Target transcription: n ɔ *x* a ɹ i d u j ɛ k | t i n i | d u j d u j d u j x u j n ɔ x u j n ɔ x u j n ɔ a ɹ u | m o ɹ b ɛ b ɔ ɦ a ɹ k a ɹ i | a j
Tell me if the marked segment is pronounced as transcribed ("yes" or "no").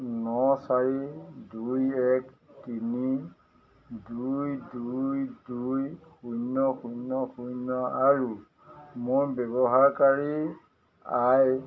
no